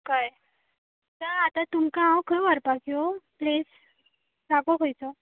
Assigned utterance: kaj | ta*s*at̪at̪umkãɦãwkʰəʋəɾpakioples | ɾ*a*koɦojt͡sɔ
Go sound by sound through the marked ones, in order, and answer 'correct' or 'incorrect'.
incorrect: none, correct

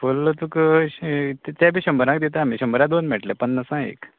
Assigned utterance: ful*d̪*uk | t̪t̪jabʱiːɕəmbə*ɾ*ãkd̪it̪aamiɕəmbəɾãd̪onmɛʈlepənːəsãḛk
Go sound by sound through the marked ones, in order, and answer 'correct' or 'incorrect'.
incorrect: t̪, correct

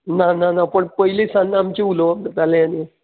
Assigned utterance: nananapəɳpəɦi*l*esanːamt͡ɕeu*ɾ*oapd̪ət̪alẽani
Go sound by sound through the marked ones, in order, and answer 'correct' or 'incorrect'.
correct, incorrect: l

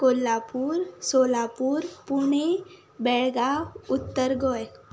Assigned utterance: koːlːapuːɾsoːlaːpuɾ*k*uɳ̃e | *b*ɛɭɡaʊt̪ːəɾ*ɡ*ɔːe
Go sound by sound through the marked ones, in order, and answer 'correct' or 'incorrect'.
incorrect: p, correct, correct

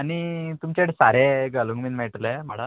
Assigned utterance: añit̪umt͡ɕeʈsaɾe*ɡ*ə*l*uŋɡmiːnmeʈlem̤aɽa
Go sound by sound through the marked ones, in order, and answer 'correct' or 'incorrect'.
correct, correct

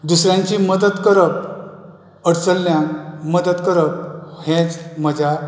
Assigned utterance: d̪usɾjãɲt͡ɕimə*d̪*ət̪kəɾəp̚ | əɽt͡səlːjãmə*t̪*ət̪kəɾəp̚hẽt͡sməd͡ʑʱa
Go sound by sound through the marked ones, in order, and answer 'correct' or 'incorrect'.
correct, incorrect: d̪

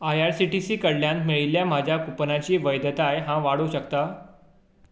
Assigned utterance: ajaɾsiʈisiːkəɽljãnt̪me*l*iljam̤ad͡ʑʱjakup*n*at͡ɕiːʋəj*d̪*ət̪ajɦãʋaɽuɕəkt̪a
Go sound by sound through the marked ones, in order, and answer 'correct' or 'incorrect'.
incorrect: ɭ, correct, correct

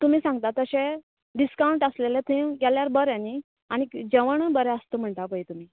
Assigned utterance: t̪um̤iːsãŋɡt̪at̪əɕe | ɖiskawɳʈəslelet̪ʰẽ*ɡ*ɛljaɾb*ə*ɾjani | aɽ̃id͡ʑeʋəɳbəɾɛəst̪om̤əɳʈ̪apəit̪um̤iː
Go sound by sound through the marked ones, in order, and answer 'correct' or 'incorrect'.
correct, correct

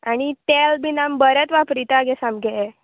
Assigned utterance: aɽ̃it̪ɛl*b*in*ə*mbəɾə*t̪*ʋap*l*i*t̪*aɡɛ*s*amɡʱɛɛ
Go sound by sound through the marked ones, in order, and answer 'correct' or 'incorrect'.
correct, incorrect: a, correct, incorrect: ɾ, correct, correct

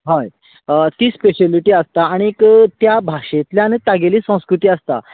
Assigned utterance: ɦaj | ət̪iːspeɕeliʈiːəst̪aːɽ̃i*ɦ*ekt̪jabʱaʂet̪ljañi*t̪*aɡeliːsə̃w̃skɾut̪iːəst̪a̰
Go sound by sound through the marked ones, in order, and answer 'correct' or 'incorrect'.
incorrect: none, correct

